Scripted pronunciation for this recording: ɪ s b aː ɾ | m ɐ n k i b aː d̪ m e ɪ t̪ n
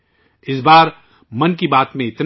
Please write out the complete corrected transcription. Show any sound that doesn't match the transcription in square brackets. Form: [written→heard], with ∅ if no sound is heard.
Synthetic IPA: ɪ s b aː ɾ | m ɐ n k i b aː [d̪→t̪] m [e→ẽ] ɪ t̪ n